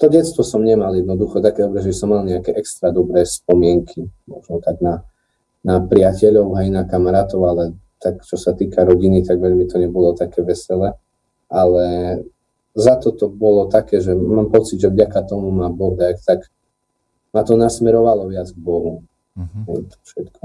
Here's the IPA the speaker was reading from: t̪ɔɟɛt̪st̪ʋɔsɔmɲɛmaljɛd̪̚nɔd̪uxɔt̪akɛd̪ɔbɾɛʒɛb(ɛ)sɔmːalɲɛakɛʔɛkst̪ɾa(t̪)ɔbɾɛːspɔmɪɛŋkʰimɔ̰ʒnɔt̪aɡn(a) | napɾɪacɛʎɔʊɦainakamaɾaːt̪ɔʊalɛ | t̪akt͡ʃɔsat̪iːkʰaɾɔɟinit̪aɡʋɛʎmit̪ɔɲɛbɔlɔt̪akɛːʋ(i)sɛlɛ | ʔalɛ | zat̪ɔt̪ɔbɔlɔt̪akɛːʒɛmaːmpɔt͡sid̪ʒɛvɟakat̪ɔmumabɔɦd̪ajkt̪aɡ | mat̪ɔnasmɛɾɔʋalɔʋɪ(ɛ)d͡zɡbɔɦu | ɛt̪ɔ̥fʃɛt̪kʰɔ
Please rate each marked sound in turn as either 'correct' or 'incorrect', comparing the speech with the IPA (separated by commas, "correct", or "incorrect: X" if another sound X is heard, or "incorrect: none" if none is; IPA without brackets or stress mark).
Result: incorrect: i, incorrect: d̪, correct, incorrect: ɛ, incorrect: a